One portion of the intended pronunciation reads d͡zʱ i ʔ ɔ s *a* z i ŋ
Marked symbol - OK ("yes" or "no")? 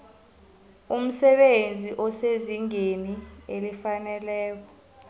no